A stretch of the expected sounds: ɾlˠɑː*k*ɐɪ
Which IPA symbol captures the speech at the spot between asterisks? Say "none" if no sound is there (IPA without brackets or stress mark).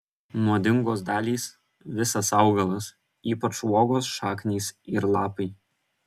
p